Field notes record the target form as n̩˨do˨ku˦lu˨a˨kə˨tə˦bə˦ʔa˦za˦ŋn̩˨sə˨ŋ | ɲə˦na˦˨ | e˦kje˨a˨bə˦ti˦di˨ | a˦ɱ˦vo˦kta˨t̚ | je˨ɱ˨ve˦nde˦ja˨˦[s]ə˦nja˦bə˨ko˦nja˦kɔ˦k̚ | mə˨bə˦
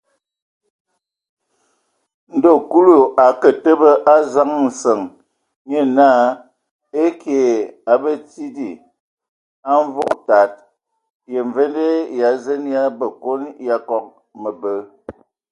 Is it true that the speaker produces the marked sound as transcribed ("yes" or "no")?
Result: no